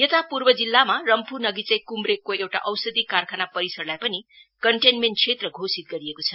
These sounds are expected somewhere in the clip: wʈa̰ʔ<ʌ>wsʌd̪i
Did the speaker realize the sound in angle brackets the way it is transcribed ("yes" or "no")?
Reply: yes